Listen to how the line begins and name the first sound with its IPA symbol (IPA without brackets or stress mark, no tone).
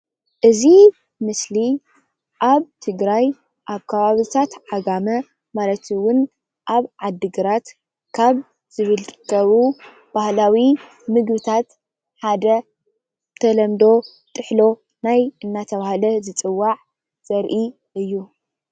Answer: ʔ